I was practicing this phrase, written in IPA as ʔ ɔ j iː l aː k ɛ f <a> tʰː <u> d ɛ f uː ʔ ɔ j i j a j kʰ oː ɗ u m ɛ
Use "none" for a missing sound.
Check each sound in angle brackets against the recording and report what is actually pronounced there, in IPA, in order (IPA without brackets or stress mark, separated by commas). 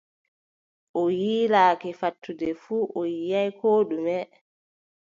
a, u